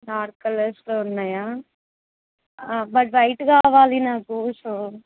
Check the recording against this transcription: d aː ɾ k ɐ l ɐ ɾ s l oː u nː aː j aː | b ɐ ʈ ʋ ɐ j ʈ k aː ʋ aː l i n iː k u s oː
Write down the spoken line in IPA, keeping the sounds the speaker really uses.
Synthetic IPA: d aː ɾ k ɐ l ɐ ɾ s l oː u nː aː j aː | b ɐ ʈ ʋ ɐ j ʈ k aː ʋ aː l i n aː k u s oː

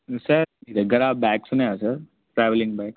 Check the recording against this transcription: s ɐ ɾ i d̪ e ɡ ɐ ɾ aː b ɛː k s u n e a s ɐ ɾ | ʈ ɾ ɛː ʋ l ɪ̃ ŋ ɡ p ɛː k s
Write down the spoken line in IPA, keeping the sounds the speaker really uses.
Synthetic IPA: s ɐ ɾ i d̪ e ɡ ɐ ɾ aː b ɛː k s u n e a s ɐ ɾ | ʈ ɾ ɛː ʋ l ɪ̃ ŋ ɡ b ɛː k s

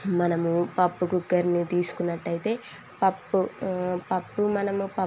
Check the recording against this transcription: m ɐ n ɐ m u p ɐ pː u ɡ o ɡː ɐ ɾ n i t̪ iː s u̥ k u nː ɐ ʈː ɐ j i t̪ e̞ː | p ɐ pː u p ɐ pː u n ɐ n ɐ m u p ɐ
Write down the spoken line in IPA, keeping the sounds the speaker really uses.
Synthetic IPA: m ɐ n ɐ m u p ɐ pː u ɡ u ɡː ɐ ɾ n i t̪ iː s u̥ k u nː ɐ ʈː ɐ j i t̪ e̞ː | p ɐ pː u p ɐ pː u m ɐ n ɐ m u p ɐ

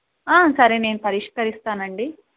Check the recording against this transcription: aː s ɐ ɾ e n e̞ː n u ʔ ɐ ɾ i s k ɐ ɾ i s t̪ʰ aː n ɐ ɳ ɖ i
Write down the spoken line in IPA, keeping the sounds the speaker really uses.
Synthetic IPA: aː s ɐ ɾ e n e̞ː n u p ɐ ɾ i ʂ k ɐ ɾ i s t̪ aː n ɐ ɳ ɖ i

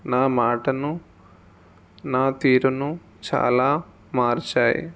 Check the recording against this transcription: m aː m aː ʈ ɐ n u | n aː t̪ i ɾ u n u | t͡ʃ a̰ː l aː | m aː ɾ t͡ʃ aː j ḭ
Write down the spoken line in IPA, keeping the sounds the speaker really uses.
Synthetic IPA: n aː m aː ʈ ɐ n u | n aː t̪ iː ɾ u n u | t͡ʃ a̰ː l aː | m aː ɾ t͡ʃ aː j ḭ

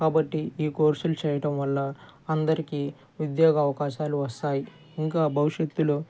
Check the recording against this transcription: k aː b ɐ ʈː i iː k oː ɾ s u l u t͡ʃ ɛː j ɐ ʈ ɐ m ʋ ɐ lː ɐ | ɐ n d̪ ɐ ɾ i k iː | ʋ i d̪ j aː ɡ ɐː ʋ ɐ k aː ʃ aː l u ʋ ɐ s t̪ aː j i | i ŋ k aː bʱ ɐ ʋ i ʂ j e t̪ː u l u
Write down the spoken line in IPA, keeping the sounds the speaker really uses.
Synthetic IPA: k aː b ɐ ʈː i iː k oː ɾ s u l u t͡ʃ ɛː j ɐ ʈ ɐ m ʋ ɐ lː ɐ | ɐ n d̪ ɐ ɾ i k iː | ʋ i d̪ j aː ɡ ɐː ʋ ɐ k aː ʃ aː l u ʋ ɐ s t̪ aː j i | i ŋ k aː bʱ ɐ ʋ i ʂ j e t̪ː u l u

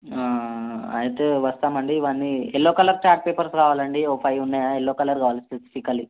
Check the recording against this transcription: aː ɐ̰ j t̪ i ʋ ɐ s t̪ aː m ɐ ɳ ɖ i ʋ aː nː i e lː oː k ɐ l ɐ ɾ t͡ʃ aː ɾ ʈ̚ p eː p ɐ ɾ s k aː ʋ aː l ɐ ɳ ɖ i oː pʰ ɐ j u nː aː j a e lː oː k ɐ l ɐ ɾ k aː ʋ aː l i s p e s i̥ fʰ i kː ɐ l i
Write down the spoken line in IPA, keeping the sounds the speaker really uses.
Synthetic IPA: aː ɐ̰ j t̪ e ʋ ɐ s t̪ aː m ɐ ɳ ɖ i ʋ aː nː i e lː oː k ɐ l ɐ ɾ t͡ʃ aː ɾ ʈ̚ p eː p ɐ ɾ s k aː ʋ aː l ɐ ɳ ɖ i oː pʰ ɐ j u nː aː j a e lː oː k ɐ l ɐ ɾ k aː ʋ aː l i s p e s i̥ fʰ i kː ɐ l i

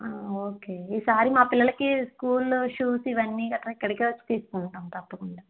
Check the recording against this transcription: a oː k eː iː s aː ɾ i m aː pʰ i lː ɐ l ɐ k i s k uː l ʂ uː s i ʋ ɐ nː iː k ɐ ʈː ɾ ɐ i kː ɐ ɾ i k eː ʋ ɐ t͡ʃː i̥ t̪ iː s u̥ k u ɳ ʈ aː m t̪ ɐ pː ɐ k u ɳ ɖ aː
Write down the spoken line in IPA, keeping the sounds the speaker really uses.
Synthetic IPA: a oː k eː iː s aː ɾ i m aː p i lː ɐ l ɐ k i s k uː l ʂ uː s i ʋ ɐ nː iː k ɐ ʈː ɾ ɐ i kː ɐ ɽ i k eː ʋ ɐ t͡ʃː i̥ t̪ iː s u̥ k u ɳ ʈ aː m t̪ ɐ pː ɐ k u ɳ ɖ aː

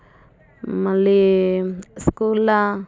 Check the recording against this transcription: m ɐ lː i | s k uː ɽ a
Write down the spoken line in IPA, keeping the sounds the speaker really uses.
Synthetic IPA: m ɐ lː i | s k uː l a

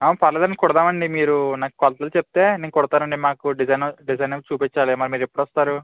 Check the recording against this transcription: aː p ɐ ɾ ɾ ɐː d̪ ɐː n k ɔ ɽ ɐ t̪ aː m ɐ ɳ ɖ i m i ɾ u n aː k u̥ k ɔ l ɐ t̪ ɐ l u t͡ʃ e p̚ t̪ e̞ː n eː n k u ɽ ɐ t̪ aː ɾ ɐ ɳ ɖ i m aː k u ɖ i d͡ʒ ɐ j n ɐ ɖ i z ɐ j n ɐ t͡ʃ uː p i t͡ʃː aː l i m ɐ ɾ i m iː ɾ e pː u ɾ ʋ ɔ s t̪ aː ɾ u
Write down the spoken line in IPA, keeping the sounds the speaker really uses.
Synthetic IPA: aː p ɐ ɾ l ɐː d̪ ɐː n k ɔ ɽ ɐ d̪ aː m ɐ ɳ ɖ i m iː ɾ u n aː k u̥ k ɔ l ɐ t̪ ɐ l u t͡ʃ e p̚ t̪ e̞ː n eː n k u ɽ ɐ t̪ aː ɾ ɐ ɳ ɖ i m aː k u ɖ i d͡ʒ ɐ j n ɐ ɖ i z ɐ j n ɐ t͡ʃ uː p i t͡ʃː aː l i m ɐ ɾ i m iː ɾ e pː u ɽ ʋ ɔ s t̪ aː ɾ u

